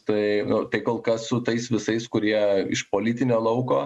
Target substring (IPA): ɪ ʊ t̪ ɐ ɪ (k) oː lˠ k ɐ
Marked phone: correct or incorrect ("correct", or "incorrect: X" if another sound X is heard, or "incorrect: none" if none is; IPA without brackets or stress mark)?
correct